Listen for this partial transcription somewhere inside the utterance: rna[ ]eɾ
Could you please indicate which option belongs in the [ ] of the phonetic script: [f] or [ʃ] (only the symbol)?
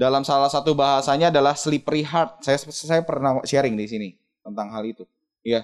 ʃ